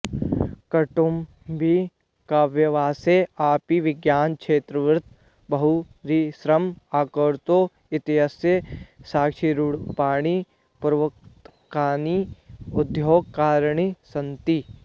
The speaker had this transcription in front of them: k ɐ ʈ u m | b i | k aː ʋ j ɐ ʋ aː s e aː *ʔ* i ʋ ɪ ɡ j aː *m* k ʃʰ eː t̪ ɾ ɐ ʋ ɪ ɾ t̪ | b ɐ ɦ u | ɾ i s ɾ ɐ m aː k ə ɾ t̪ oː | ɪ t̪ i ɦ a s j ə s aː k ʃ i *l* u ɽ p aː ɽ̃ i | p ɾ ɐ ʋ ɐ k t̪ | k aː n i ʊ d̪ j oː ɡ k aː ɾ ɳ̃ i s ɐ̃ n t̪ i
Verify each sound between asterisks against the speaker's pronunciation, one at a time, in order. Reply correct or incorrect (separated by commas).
incorrect, incorrect, incorrect